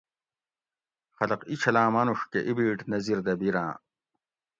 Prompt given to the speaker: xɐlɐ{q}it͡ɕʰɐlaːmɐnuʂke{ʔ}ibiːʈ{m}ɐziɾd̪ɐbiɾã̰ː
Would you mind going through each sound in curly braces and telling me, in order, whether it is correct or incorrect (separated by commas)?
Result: correct, correct, incorrect